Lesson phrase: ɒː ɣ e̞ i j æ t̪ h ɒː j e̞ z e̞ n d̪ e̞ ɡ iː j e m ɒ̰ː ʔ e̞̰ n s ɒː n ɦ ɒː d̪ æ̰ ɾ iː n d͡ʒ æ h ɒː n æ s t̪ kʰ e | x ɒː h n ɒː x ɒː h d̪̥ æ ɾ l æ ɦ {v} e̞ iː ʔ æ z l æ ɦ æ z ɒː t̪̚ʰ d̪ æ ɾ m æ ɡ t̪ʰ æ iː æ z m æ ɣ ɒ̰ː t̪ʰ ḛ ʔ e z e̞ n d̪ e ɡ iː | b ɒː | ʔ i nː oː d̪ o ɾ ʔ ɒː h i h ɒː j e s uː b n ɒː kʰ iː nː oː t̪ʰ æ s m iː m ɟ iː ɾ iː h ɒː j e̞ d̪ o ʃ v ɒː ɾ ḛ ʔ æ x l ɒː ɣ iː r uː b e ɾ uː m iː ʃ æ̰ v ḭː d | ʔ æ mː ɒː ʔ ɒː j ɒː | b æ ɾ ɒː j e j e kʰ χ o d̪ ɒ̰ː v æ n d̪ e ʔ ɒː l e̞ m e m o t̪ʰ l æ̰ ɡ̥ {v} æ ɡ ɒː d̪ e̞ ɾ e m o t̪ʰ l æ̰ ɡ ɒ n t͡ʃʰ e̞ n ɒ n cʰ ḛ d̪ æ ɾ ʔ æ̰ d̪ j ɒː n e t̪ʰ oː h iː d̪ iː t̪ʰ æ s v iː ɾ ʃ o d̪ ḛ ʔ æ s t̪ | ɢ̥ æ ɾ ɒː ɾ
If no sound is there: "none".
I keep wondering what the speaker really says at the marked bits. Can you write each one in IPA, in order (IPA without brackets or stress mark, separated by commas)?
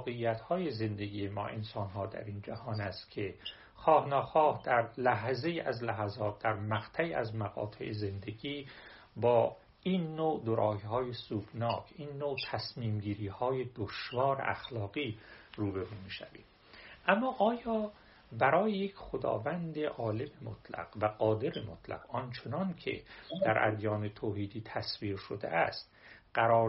z, v